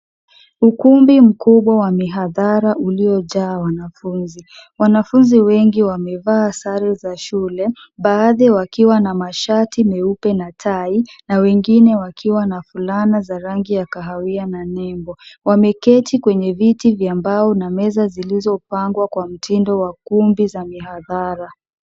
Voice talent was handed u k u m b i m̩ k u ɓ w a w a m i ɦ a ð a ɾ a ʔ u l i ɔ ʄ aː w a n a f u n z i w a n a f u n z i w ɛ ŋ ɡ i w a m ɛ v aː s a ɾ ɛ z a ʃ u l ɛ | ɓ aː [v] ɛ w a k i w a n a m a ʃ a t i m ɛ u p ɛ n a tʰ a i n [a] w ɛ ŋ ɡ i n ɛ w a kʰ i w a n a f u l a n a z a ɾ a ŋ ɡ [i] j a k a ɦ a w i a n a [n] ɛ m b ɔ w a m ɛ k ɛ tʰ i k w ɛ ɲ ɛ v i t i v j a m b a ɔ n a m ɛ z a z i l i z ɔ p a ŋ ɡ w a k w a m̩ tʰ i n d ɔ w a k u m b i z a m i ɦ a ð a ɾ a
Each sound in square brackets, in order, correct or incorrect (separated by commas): incorrect, correct, correct, correct